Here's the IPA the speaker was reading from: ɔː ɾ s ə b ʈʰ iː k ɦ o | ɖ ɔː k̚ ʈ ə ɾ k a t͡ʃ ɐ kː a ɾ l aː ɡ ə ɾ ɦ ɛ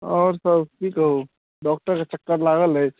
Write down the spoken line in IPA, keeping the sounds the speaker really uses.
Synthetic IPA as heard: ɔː ɾ s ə b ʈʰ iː k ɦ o | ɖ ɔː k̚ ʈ ə ɾ k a t͡ʃ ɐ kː ə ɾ l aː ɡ ə l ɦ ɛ